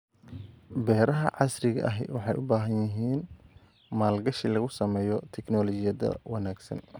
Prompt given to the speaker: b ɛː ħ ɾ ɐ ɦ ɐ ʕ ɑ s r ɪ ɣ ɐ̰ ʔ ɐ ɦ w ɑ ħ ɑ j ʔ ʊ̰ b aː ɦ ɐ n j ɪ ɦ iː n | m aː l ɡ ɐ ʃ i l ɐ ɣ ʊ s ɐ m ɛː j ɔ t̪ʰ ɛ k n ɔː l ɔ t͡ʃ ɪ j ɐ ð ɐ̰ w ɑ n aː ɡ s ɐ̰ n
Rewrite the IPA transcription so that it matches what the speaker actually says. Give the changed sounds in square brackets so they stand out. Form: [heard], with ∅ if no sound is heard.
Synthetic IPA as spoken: b ɛː [∅] ɾ ɐ ɦ ɐ ʕ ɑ s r ɪ ɣ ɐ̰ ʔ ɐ ɦ w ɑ ħ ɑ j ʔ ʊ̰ b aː ɦ ɐ n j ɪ ɦ iː n | m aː l ɡ ɐ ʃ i l ɐ ɣ ʊ s ɐ m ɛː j ɔ t̪ʰ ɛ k n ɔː l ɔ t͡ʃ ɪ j ɐ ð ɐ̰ w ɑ n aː ɡ s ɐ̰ n